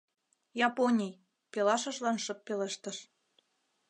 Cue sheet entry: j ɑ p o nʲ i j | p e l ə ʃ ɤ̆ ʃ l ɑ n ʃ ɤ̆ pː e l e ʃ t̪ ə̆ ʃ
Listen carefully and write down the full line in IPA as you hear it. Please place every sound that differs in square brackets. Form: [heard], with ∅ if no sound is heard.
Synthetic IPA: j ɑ p o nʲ i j | p e l [ɑ] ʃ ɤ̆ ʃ l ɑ n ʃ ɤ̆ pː e l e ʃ t̪ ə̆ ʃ